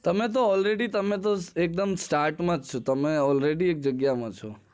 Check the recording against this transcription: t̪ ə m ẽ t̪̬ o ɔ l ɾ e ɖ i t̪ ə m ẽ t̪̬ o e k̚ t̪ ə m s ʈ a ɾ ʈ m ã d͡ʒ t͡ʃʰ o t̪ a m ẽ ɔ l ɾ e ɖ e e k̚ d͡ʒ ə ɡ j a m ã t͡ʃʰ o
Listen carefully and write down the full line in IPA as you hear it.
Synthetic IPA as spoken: t̪ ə m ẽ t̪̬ o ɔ l ɾ e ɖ i t̪ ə m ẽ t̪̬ o e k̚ d̪ ə m s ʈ a ɾ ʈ m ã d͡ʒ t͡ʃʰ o t̪ ə m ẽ ɔ l ɾ e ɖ i e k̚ d͡ʒ ə ɡ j a m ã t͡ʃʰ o

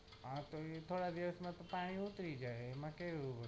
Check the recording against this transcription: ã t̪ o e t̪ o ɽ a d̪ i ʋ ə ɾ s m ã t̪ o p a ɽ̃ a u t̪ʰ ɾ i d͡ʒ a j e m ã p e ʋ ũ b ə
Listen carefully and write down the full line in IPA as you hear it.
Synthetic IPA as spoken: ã t̪ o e t̪ʰ o ɽ a d̪ i ʋ ə s m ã t̪ o p a ɽ̃ i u t̪ ɾ i d͡ʒ a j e m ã k e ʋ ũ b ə

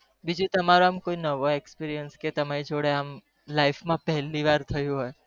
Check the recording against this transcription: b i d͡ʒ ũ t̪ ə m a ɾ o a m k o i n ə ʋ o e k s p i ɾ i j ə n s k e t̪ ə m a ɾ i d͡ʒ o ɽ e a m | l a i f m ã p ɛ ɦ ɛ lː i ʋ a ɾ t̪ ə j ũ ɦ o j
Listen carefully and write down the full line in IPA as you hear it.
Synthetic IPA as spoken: b i d͡ʒ ũ t̪ ə m a ɾ o a m k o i n ə ʋ o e k s p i ɾ i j ə n s k e t̪ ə m a ɾ i d͡ʒ o ɽ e a m | l a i f m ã p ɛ ɦ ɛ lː i ʋ a ɾ t̪ʰ ə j ũ ɦ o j

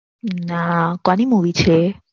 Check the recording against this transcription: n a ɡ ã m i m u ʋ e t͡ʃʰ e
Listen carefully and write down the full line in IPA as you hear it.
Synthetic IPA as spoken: n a k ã n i m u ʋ i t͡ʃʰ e

